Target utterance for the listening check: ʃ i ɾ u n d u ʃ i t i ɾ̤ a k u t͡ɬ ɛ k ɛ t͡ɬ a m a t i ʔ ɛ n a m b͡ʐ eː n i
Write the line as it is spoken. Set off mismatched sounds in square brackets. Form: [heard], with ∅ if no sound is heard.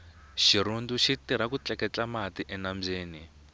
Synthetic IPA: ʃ i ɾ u n d u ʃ i t i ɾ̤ a k u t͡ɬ ɛ k ɛ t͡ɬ a m a t i ʔ ɛ n a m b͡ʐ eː n i